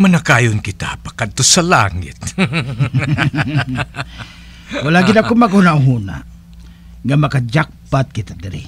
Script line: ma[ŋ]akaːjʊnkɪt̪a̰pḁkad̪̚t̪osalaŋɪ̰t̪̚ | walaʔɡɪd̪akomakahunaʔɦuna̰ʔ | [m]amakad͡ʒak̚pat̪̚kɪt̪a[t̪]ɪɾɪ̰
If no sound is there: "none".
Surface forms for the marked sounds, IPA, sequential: n, ŋ, d̪

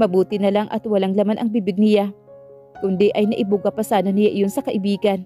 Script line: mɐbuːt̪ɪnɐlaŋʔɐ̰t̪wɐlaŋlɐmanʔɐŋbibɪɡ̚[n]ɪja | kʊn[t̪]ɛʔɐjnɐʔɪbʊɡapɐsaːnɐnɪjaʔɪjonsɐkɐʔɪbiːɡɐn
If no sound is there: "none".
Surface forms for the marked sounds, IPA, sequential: n, d̪

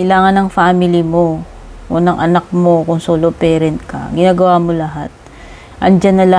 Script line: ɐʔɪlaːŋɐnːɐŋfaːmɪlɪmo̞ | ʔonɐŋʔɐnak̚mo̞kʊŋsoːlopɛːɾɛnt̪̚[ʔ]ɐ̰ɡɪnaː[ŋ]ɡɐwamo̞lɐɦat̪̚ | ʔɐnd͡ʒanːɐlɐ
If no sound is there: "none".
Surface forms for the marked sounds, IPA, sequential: k, none

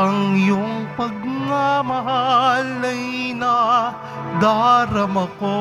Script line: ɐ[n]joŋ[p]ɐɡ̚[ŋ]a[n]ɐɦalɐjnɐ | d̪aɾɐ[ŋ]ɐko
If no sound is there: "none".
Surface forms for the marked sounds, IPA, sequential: ŋ, p, ŋ, m, m

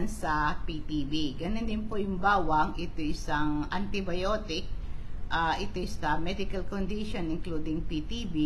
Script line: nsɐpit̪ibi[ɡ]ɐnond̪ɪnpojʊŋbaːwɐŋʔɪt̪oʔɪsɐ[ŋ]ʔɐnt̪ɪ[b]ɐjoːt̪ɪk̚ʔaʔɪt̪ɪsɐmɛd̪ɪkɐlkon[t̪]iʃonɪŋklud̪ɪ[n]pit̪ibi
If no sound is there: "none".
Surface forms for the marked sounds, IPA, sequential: ɡ, ŋ, b, d̪, ŋ

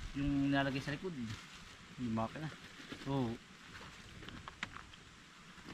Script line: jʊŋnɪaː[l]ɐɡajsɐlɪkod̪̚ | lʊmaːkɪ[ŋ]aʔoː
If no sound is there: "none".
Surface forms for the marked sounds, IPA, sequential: l, n

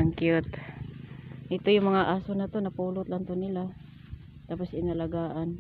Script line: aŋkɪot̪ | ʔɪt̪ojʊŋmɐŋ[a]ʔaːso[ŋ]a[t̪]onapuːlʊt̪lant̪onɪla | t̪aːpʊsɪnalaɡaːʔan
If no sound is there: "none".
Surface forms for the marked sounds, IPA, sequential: a, n, t̪

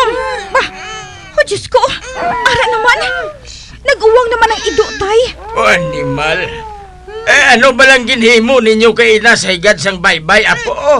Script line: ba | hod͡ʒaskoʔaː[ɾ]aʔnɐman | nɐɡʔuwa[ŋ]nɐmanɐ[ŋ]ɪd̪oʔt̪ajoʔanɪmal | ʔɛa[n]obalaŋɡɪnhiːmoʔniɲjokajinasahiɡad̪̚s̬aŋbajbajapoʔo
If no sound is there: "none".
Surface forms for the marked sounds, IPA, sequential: ɾ, ŋ, ŋ, n

